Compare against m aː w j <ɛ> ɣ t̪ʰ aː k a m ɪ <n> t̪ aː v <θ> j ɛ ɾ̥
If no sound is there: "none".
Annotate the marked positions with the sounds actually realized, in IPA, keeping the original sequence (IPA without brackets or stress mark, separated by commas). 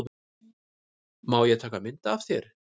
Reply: ɛ, n, θ